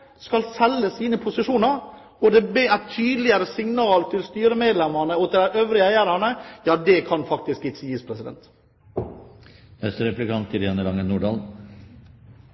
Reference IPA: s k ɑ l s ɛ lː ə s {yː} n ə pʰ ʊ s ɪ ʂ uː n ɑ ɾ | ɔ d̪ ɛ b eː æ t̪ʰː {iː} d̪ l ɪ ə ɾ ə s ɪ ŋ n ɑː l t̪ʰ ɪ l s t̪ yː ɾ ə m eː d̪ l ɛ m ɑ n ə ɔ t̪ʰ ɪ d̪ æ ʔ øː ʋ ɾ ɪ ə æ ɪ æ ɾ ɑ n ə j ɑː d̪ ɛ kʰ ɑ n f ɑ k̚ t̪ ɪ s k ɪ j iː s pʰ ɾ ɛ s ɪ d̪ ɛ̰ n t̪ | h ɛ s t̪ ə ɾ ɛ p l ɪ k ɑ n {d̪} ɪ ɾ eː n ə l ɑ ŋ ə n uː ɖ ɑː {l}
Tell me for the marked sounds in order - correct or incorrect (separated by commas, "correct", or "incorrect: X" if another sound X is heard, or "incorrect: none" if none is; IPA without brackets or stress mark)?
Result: incorrect: iː, incorrect: yː, incorrect: t̪, correct